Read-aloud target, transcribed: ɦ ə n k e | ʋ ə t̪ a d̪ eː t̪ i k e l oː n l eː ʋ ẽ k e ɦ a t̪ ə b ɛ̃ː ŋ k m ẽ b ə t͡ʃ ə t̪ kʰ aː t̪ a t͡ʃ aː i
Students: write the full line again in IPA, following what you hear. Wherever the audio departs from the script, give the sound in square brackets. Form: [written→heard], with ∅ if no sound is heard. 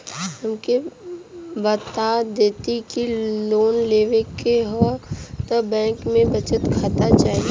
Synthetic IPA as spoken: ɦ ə [n→m] k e | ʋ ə t̪ a d̪ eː t̪ i k [e→i] l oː n l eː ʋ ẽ k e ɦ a t̪ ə b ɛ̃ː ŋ k m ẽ b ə t͡ʃ ə t̪ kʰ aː t̪ a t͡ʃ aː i